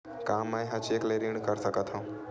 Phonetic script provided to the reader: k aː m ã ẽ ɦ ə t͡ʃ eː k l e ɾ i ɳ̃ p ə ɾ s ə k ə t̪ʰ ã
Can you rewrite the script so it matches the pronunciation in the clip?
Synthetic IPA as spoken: k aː m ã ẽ ɦ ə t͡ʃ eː k l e ɾ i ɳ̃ k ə ɾ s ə k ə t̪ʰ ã